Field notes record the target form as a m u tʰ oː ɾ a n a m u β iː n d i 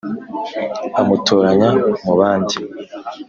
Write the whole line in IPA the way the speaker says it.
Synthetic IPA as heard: a m u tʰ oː ɾ a ɲ a m u β aː n d i